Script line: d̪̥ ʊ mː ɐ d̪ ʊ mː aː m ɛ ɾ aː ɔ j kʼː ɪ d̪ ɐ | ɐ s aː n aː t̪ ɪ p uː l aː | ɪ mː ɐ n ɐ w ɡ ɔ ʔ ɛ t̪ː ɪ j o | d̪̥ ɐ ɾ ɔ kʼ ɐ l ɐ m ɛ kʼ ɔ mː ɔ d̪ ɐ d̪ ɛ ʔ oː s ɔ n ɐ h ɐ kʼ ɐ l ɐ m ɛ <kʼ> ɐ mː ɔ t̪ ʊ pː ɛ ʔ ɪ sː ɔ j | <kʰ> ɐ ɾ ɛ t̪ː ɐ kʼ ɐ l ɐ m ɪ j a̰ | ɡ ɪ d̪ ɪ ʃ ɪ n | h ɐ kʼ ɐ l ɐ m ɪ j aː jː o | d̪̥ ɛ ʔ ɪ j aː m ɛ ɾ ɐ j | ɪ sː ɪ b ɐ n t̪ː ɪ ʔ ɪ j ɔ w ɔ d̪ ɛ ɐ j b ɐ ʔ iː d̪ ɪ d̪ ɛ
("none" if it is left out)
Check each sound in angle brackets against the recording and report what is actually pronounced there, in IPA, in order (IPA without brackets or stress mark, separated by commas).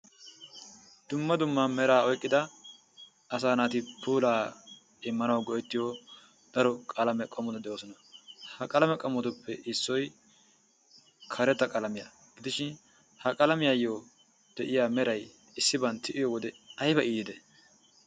kʼ, kʰ